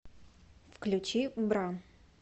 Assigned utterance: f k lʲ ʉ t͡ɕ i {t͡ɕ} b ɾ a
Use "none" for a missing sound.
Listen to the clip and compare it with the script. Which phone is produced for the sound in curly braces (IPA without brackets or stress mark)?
none